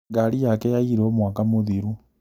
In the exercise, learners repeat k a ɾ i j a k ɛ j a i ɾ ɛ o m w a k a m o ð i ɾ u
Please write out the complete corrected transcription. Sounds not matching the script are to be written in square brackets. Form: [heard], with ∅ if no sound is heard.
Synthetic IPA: [ɡ] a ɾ i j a k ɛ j a i ɾ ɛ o m w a k a m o ð i ɾ u